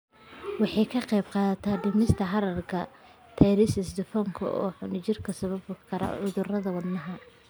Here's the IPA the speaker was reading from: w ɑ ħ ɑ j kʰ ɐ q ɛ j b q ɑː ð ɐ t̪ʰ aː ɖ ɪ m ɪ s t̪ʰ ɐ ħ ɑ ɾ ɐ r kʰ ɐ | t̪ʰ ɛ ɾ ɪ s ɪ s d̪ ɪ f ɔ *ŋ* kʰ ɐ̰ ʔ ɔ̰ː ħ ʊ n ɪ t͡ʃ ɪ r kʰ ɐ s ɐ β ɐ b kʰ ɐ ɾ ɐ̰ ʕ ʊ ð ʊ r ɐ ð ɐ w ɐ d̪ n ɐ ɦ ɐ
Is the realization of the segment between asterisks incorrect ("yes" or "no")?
no